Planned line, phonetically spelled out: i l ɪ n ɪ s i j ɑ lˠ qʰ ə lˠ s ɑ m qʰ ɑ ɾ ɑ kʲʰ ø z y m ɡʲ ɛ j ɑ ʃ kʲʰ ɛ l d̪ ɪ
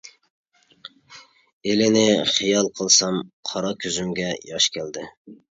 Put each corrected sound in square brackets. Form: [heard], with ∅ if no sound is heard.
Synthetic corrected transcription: [e] l ɪ n ɪ [χ] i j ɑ lˠ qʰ ə lˠ s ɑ m qʰ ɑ ɾ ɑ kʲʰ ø z y m ɡʲ ɛ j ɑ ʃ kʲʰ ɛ l d̪ ɪ